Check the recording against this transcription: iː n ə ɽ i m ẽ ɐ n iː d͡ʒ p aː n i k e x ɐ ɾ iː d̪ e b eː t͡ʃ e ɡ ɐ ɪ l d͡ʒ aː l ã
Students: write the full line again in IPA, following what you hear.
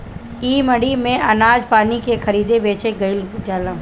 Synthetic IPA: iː m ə ɽ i m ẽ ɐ n aː d͡ʒ p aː n i k e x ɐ ɾ iː d̪ e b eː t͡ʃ e ɡ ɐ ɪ l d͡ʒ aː l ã

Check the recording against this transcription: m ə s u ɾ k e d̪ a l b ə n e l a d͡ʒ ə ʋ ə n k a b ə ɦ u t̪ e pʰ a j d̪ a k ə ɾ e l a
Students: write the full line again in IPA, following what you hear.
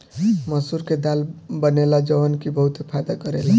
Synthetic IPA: m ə s u ɾ k e d̪ a l b ə n e l a d͡ʒ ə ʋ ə n k i b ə ɦ u t̪ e pʰ a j d̪ a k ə ɾ e l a

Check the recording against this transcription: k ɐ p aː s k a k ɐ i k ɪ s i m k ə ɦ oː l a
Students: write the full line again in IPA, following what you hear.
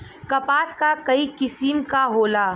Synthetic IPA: k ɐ p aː s k a k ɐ i k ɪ s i m k a ɦ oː l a

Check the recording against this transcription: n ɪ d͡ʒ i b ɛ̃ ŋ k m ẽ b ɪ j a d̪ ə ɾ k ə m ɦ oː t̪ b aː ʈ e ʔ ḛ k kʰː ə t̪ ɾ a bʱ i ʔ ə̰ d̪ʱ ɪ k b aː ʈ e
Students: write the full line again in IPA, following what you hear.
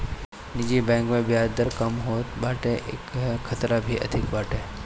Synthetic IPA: n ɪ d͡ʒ i b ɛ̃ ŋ k m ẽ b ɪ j a d̪ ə ɾ k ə m ɦ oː t̪ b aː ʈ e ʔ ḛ k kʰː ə t̪ ɾ a bʱ i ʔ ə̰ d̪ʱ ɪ k b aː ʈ e

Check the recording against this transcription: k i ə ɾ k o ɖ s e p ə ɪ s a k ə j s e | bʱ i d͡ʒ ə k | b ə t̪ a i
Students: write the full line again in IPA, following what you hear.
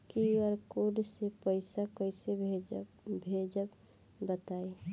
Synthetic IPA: k i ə ɾ k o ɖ s e p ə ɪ s a k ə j s e | bʱ e d͡ʒ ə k | b ə t̪ a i

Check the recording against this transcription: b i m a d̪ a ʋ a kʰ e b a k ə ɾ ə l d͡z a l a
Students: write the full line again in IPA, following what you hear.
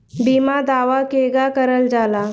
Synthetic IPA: b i m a d̪ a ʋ a k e ɡ a k ə ɾ ə l d͡z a l a

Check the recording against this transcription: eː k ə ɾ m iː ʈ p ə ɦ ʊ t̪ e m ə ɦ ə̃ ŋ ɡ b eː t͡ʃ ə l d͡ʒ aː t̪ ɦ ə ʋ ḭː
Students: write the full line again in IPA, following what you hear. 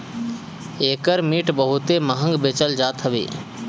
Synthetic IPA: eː k ə ɾ m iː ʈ b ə ɦ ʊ t̪ e m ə ɦ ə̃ ŋ ɡ b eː t͡ʃ ə l d͡ʒ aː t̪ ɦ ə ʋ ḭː

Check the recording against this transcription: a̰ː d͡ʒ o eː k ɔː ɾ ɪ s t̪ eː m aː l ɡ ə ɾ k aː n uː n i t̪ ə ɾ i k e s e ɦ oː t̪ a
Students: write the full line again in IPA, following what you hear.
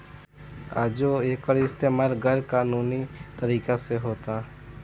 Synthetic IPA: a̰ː d͡ʒ o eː k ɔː ɾ ɪ s t̪ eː m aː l ɡ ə ɾ k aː n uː n i t̪ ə ɾ iː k a s e ɦ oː t̪ a

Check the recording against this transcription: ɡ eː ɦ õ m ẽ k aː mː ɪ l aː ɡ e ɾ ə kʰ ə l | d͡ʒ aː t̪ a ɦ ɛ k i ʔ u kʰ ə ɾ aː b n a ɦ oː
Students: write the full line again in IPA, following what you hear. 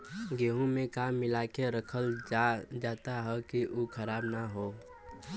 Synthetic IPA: ɡ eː ɦ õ m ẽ k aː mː ɪ l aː k e ɾ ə kʰ ə l | d͡ʒ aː t̪ a ɦ ɛ k i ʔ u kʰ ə ɾ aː b n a ɦ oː

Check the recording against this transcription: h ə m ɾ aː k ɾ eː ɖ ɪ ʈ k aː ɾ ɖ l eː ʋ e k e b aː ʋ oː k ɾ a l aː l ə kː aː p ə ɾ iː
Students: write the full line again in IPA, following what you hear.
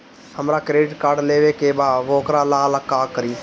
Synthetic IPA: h ə m ɾ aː k ɾ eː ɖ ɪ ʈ k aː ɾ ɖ l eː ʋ e k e b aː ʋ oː k ɾ a l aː l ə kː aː k ə ɾ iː

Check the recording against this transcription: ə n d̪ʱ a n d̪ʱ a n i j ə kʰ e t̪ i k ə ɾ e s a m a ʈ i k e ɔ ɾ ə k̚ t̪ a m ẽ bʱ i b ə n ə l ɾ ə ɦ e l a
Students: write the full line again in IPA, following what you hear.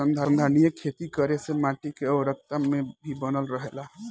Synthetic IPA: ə n d̪ʱ a n d̪ʱ a n i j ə kʰ e t̪ i k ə ɾ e s e m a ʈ i k e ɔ ɾ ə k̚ t̪ a m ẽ bʱ i b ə n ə l ɾ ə ɦ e l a

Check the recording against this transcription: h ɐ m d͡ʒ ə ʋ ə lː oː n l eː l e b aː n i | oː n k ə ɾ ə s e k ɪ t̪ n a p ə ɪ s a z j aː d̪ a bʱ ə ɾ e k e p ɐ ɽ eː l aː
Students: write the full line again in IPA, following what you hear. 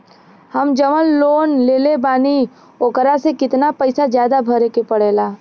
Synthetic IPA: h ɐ m d͡ʒ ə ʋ ə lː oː n l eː l e b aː n i | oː k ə ɾ a s e k ɪ t̪ n a p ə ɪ s a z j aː d̪ a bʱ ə ɾ e k e p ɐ ɽ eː l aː

